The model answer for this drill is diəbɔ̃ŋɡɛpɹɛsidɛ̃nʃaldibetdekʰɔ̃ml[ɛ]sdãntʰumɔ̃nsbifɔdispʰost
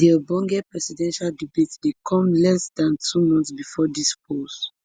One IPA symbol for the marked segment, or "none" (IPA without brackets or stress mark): ɛ